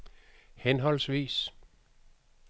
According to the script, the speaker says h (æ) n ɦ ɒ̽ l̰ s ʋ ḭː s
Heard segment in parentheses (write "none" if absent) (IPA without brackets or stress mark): e